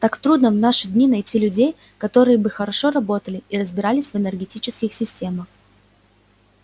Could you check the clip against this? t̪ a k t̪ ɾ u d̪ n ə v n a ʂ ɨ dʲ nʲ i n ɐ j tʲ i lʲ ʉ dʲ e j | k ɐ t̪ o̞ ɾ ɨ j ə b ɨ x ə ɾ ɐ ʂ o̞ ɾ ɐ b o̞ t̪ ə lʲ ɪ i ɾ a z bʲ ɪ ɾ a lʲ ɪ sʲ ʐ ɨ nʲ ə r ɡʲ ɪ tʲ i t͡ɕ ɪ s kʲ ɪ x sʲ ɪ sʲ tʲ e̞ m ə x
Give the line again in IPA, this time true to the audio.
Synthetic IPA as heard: t̪ a k t̪ ɾ u d̪ n ə v n a ʂ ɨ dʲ nʲ i n ɐ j tʲ i lʲ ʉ dʲ e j | k ɐ t̪ o̞ ɾ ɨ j ə b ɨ x ə ɾ ɐ ʂ o̞ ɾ ɐ b o̞ t̪ ə lʲ ɪ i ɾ ə z bʲ ɪ ɾ a lʲ ɪ sʲ v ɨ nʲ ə r ɡʲ ɪ tʲ i t͡ɕ ɪ s kʲ ɪ x sʲ ɪ sʲ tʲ e̞ m ə x